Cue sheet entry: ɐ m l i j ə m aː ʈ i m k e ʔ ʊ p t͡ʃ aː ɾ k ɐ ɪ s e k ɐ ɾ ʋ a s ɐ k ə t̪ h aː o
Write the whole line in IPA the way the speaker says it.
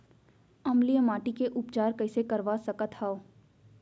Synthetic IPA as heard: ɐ m l i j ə m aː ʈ i k e ʔ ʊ p t͡ʃ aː ɾ k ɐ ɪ s e k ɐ ɾ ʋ a s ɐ k ə t̪ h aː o

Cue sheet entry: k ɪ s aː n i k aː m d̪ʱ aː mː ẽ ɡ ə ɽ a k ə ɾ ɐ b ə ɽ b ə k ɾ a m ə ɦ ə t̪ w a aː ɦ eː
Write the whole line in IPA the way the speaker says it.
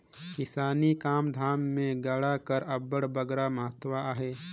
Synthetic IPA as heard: k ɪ s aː n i k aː m d̪ʱ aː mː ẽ ɡ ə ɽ a k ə ɾ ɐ b ə ɽ b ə ɡ ɾ a m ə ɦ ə t̪ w a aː ɦ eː

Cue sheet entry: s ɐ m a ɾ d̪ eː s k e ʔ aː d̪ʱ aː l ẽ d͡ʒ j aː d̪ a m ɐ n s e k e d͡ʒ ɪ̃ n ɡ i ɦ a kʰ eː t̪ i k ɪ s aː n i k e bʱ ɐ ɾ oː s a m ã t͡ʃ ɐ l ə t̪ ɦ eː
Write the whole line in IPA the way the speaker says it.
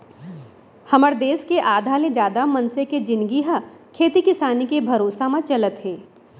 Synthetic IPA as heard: h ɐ m ə ɾ d̪ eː s k e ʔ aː d̪ʱ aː l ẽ d͡ʒ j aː d̪ a m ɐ n s e k e d͡ʒ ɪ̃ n ɡ i ɦ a kʰ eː t̪ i k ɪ s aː n i k e bʱ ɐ ɾ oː s a m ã t͡ʃ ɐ l ə t̪ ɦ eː

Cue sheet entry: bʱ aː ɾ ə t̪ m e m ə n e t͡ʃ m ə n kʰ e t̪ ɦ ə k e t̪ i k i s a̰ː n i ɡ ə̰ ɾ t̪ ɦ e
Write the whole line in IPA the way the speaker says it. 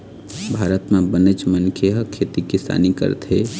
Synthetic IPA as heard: bʱ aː ɾ ə t̪ m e b ə n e t͡ʃ m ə n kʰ e ɦ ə kʰ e t̪ i k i s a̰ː n i k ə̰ ɾ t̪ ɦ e

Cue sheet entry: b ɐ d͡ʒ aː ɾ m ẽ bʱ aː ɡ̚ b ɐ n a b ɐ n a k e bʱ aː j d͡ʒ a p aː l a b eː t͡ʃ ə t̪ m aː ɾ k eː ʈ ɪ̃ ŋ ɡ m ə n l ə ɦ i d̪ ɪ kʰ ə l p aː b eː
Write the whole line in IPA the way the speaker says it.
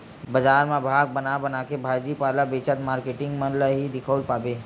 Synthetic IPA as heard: b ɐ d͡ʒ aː ɾ m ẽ bʱ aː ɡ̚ b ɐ n a b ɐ n a k e bʱ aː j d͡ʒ i p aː l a b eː t͡ʃ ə t̪ m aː ɾ k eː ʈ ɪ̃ ŋ ɡ m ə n l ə ɦ i d̪ ɪ kʰ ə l p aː b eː

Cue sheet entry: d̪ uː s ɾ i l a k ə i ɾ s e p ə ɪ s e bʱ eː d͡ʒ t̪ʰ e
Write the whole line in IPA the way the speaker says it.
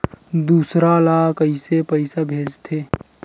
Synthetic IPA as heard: d̪ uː s ɾ a l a k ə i s e p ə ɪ s a bʱ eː d͡ʒ t̪ʰ e

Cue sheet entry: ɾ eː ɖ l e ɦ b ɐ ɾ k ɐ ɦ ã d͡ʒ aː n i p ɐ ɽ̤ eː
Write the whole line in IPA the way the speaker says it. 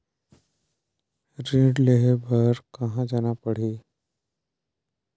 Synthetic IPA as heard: ɾ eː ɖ l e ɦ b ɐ ɾ k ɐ ɦ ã d͡ʒ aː n a p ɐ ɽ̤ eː

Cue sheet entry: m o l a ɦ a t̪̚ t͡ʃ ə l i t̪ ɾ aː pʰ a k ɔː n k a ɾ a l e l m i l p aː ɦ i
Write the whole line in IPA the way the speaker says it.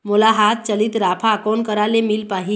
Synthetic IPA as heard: m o l a ɦ a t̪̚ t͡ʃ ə l i t̪ ɾ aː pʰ a k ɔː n k ə ɾ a l e m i l p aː ɦ i

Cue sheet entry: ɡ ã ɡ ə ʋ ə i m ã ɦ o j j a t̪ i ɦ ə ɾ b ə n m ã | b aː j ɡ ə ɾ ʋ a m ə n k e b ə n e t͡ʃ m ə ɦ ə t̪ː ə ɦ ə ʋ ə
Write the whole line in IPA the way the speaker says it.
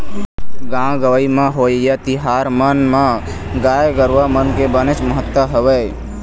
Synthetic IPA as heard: ɡ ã ɡ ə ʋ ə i m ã ɦ o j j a t̪ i ɦ a ɾ m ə n m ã | ɡ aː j ɡ ə ɾ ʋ a m ə n k e b ə n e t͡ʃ m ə ɦ ə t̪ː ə ɦ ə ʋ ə

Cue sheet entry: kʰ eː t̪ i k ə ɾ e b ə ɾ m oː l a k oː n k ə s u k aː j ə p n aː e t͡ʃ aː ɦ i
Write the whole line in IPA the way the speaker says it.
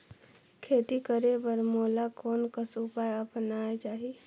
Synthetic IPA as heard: kʰ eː t̪ i k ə ɾ e b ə ɾ m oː l a k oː n k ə s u p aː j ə p n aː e t͡ʃ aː ɦ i

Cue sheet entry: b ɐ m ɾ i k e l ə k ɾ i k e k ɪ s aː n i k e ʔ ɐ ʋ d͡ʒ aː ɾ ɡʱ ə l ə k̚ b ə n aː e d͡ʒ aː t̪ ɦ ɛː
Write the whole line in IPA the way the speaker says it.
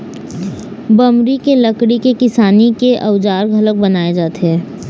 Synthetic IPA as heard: b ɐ m ɾ i k e l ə k ɽ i k e k ɪ s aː n i k e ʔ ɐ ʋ d͡ʒ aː ɾ ɡʱ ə l ə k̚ b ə n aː e d͡ʒ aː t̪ ɦ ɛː

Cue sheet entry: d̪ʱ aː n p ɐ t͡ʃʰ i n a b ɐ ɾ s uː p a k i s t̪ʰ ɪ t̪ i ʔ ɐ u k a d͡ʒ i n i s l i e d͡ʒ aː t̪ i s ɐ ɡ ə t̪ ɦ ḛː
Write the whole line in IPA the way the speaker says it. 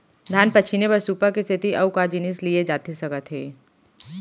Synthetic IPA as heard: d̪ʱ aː n p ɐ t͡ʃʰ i n e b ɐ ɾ s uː p a k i s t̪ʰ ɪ t̪ i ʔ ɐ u k a d͡ʒ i n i s l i e d͡ʒ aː t̪ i s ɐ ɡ ə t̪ ɦ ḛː

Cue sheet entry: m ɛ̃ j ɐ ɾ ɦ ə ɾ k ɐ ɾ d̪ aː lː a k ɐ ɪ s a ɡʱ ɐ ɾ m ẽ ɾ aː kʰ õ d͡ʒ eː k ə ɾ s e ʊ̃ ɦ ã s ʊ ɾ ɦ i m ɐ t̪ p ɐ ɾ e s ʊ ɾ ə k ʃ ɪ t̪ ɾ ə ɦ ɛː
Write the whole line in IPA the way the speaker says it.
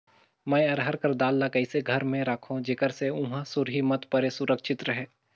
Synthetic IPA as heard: m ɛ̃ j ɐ ɾ ɦ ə ɾ k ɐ ɾ d̪ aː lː a k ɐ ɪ s e ɡʱ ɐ ɾ m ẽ ɾ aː kʰ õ d͡ʒ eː k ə ɾ s e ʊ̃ ɦ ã s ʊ ɾ ɦ i m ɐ t̪ p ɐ ɾ e s ʊ ɾ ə k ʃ ɪ t̪ ɾ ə ɦ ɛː

